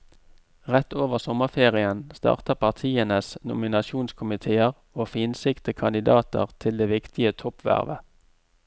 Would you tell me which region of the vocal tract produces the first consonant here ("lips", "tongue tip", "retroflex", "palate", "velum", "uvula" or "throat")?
uvula